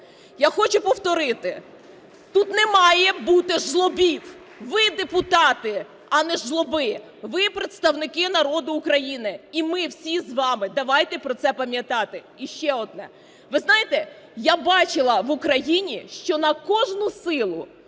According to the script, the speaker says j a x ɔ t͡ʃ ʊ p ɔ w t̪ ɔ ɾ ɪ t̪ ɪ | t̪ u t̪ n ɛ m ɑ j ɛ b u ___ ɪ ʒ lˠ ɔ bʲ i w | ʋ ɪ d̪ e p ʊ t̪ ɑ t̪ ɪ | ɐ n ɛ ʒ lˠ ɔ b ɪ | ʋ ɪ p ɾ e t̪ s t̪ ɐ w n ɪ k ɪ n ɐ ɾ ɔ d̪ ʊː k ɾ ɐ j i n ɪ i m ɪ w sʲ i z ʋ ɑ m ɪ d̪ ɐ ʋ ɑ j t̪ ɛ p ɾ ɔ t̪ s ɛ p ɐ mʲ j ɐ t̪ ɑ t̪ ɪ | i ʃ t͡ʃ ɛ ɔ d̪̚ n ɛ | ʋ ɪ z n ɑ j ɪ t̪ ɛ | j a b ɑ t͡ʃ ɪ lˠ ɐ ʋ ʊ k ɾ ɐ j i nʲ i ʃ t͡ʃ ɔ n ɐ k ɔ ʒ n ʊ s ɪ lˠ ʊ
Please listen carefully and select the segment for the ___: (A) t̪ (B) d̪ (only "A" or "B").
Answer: A